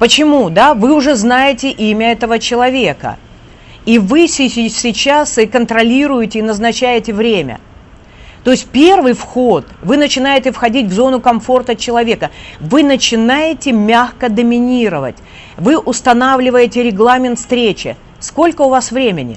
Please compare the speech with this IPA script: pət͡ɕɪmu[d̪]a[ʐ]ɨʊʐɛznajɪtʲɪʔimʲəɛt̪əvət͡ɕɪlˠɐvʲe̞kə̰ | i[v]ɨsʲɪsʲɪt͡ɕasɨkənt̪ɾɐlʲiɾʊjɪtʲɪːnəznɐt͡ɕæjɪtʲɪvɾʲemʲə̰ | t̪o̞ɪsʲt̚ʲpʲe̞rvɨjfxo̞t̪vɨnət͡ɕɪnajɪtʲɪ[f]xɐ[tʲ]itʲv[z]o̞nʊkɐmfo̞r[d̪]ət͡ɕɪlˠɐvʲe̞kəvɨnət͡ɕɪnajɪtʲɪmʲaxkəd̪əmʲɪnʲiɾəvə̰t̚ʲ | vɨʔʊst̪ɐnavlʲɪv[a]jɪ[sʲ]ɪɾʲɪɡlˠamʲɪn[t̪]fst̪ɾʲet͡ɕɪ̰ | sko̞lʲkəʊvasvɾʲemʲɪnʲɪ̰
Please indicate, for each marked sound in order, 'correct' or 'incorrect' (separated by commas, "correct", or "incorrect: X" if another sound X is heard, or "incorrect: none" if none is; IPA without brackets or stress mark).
correct, incorrect: v, correct, correct, incorrect: dʲ, correct, incorrect: t̪, incorrect: ə, incorrect: tʲ, correct